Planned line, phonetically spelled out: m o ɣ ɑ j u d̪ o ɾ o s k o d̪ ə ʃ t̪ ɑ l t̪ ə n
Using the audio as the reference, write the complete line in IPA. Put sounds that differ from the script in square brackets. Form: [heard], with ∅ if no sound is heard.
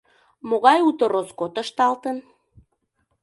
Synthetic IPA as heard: m o ɣ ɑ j u [t̪] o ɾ o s k o [t̪] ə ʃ t̪ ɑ l t̪ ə n

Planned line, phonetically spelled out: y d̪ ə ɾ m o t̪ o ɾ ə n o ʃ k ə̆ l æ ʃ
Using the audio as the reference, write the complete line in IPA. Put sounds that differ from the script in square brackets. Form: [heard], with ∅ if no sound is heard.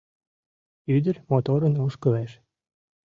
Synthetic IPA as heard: y d̪ ə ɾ m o t̪ o ɾ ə n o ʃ k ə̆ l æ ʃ

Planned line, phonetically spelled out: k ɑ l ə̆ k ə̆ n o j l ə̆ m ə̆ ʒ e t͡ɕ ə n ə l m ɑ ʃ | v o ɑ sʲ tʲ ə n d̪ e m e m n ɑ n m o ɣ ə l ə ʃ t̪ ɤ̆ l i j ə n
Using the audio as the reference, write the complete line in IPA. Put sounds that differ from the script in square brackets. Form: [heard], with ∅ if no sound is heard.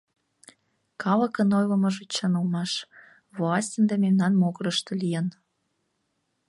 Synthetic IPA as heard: k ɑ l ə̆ k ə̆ n o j l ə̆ m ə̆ ʒ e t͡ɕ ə n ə l m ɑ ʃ | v o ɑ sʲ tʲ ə n d̪ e m e m n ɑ n m o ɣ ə [ɾ] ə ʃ t̪ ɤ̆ l i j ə n

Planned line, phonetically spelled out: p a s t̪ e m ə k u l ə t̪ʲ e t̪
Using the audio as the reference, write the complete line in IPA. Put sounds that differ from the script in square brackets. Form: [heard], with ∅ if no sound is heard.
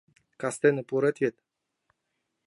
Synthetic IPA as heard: [k] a s t̪ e [n] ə [p] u [ɾ] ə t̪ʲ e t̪

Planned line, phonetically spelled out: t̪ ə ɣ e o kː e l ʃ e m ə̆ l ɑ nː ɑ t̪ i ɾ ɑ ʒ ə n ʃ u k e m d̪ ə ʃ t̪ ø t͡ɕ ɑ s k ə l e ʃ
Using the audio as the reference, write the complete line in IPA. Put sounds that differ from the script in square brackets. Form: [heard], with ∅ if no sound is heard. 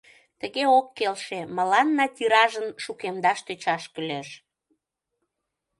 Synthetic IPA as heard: t̪ ə ɣ e o kː e l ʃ e m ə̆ l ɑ nː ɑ t̪ i ɾ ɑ ʒ ə n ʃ u k e m d̪ [ɑ] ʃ t̪ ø t͡ɕ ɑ [ʃ] k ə l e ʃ

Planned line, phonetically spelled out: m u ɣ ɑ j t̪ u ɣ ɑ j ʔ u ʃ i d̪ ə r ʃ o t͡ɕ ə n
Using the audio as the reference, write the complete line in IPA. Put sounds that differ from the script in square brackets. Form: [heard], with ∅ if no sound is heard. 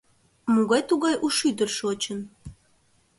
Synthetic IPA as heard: m u ɣ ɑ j t̪ u ɣ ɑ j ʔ u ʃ [y] d̪ ə r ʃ o t͡ɕ ə n

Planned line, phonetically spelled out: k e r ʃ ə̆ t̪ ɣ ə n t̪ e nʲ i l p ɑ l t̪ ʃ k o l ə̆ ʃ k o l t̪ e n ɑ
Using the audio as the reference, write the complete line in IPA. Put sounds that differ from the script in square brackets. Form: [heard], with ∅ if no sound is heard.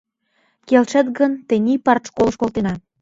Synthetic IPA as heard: k e [l] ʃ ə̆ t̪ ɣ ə n t̪ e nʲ i [∅] p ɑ [r] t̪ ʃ k o l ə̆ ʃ k o l t̪ e n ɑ

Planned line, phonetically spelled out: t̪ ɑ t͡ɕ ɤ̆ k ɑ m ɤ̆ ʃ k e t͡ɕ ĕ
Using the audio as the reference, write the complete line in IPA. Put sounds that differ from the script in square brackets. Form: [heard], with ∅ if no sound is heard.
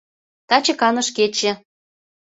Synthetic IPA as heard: t̪ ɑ t͡ɕ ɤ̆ k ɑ [n] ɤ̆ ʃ k e t͡ɕ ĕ

